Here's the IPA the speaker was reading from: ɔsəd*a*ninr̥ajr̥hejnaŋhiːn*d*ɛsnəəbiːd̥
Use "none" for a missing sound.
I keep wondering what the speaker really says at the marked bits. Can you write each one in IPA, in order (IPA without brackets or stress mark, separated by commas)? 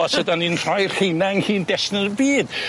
a, d